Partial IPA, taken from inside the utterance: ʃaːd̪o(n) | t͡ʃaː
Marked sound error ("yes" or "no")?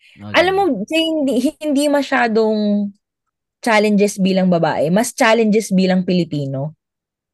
yes